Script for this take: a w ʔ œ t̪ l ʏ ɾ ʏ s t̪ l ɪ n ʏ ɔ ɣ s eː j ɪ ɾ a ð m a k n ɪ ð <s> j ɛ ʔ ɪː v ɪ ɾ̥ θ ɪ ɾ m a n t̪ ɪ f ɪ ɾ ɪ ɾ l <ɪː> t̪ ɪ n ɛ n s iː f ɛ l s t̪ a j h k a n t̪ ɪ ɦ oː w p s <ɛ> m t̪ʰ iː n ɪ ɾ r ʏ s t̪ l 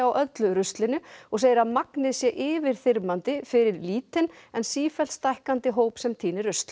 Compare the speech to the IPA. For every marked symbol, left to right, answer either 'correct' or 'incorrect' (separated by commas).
correct, incorrect, correct